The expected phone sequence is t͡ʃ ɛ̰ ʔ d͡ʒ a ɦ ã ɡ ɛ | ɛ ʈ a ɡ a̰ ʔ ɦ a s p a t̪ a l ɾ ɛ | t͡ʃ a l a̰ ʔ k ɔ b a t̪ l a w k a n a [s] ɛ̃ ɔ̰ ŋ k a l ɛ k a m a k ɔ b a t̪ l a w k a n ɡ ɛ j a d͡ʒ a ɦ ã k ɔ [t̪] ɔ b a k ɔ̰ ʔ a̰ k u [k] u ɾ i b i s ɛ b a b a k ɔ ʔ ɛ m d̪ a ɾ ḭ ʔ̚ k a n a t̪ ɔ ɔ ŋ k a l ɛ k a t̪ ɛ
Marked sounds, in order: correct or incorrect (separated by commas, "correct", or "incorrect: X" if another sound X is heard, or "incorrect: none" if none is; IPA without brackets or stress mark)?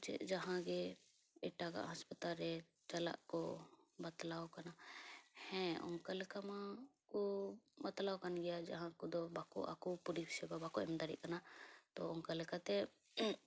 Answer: incorrect: h, incorrect: d̪, incorrect: p